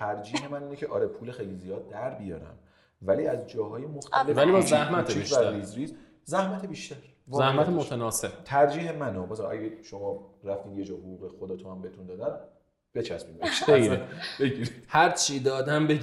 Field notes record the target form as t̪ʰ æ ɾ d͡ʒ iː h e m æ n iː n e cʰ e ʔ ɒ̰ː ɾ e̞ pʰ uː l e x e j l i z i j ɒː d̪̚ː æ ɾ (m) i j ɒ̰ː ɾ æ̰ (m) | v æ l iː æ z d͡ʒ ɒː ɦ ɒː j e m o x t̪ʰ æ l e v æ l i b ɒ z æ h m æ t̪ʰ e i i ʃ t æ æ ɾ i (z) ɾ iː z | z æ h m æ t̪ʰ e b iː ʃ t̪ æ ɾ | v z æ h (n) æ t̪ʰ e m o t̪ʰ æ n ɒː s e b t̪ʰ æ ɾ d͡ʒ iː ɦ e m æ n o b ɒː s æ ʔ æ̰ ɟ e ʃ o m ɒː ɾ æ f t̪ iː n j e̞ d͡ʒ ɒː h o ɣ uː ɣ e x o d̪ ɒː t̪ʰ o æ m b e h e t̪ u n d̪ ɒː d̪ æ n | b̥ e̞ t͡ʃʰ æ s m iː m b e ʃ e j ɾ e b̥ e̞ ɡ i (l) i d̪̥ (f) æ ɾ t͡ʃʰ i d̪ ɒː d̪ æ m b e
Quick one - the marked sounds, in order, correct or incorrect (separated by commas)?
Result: incorrect, correct, correct, incorrect, incorrect, incorrect